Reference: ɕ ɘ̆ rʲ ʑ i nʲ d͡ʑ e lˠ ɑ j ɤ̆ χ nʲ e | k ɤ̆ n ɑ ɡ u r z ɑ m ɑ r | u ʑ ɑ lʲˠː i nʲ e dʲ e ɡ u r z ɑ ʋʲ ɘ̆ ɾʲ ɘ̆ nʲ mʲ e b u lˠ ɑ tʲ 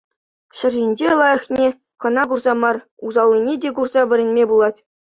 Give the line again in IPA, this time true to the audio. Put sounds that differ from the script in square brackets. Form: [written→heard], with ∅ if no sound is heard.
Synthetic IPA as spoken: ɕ ɘ̆ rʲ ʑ i nʲ d͡ʑ e lˠ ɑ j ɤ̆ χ nʲ e | k ɤ̆ n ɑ ɡ u r z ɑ m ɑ r | u [ʑ→z] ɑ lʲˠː i nʲ e dʲ e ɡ u r z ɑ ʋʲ ɘ̆ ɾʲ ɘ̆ nʲ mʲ e b u lˠ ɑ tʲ